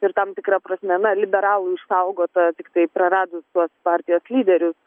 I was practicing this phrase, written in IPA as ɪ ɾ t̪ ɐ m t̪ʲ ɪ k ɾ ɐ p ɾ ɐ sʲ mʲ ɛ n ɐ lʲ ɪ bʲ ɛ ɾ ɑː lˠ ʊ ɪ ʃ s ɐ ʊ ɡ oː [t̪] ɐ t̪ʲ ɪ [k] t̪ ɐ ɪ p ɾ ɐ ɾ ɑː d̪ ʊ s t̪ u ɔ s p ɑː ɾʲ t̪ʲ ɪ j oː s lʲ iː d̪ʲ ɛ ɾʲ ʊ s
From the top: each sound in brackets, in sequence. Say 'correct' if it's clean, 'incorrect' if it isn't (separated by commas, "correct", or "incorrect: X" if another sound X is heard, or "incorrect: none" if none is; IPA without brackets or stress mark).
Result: correct, correct